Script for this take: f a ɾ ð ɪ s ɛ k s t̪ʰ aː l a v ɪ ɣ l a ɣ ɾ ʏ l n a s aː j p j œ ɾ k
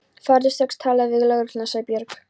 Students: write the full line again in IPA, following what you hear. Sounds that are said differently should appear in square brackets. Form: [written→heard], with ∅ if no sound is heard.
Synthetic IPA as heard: f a ɾ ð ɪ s ɛ k s t̪ʰ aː l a v ɪ ɣ l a ɣ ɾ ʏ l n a s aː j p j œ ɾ k